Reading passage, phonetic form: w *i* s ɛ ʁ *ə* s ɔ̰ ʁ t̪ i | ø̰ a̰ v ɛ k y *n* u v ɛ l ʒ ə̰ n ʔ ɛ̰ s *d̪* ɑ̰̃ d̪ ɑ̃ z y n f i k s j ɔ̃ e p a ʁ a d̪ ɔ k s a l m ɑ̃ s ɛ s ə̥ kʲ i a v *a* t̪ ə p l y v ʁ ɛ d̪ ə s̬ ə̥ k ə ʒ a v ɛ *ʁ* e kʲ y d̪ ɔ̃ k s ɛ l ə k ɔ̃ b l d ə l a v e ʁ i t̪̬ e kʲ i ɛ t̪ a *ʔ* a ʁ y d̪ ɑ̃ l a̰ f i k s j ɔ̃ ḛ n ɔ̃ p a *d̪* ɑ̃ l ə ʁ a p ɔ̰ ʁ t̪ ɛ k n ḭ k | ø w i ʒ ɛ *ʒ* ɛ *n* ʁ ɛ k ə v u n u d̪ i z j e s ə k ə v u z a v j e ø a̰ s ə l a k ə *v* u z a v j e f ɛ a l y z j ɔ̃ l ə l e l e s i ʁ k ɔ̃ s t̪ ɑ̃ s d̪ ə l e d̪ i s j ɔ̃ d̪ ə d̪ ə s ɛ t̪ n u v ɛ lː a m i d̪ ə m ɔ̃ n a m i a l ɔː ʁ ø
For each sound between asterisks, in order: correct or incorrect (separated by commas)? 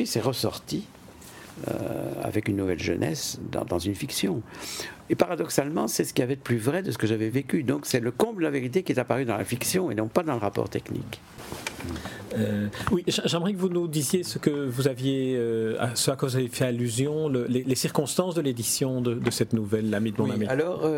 correct, correct, incorrect, correct, incorrect, incorrect, incorrect, correct, correct, incorrect, correct